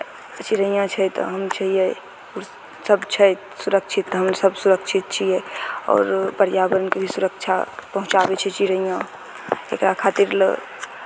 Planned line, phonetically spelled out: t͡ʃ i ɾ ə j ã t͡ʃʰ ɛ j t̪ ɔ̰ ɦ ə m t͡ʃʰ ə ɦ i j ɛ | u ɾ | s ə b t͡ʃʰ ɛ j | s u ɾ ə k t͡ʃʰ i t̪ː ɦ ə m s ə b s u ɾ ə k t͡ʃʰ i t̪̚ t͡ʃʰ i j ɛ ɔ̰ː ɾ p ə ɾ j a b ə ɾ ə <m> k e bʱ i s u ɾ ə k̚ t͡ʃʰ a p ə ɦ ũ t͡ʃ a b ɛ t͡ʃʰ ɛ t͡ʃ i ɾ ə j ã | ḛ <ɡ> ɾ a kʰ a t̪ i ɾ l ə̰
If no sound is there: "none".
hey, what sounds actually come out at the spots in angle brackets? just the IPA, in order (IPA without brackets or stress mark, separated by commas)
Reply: n, k